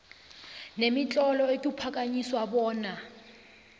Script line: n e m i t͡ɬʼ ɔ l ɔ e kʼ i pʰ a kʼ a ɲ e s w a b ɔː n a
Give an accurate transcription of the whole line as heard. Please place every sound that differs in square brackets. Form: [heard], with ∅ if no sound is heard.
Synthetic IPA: n e m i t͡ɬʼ ɔ l ɔ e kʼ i pʰ a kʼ a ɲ [i] s w a b ɔː n a